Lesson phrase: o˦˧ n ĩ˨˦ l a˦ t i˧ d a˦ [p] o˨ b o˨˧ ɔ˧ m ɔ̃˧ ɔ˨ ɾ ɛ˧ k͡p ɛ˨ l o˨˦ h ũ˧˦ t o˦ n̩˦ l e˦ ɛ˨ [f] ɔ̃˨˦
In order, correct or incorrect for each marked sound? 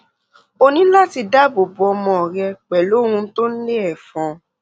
incorrect: b, correct

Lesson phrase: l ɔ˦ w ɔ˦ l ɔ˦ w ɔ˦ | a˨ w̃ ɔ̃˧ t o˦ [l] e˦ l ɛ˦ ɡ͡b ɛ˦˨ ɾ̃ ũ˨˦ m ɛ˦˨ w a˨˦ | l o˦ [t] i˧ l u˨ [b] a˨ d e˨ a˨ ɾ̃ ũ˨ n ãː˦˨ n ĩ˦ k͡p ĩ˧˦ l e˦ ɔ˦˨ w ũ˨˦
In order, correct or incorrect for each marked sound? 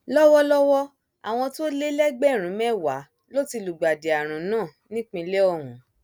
correct, correct, incorrect: ɡ͡b

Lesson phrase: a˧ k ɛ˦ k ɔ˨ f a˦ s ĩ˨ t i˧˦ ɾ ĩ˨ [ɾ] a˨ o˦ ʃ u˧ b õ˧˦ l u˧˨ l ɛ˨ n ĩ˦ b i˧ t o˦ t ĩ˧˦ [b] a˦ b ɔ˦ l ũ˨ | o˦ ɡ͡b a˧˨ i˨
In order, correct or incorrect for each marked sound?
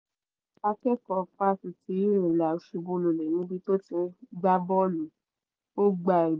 incorrect: l, incorrect: ɡ͡b

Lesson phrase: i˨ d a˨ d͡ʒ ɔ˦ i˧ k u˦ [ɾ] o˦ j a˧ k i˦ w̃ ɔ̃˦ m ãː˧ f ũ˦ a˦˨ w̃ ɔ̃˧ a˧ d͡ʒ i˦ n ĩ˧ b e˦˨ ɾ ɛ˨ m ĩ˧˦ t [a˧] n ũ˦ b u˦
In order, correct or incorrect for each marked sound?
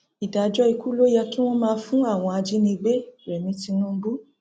incorrect: l, incorrect: i˧

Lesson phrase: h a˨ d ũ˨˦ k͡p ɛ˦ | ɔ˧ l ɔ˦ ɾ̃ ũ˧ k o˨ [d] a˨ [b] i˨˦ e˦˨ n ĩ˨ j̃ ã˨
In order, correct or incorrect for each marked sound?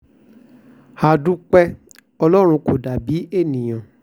correct, correct

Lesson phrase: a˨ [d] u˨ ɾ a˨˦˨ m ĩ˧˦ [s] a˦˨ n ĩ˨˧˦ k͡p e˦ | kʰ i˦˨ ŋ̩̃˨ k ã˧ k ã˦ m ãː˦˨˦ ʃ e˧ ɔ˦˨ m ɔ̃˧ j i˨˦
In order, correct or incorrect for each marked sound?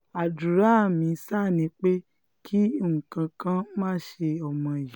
correct, correct

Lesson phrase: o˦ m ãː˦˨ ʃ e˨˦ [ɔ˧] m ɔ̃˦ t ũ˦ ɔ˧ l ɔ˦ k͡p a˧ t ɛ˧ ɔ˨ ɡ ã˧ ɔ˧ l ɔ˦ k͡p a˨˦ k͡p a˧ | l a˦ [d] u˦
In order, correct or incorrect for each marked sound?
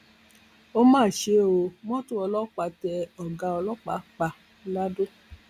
incorrect: o˧, correct

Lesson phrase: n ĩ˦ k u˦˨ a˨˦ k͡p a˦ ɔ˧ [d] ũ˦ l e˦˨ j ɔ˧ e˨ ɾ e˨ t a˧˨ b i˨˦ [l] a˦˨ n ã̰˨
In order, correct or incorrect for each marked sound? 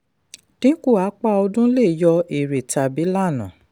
correct, correct

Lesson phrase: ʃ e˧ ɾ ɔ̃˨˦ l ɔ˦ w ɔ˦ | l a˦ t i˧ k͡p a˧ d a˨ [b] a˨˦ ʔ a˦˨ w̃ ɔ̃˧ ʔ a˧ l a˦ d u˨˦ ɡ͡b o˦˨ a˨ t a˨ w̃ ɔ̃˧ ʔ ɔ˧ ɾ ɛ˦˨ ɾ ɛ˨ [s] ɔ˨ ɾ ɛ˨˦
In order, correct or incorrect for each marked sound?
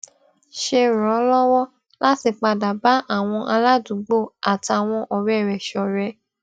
correct, incorrect: ʃ

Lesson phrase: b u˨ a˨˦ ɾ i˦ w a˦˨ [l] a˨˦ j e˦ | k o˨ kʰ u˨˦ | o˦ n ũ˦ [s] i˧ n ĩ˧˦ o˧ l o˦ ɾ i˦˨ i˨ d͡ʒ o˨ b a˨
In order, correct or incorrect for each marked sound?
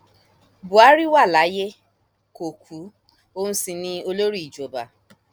correct, correct

